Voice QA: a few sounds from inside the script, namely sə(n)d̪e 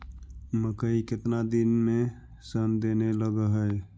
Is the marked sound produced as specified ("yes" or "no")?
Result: yes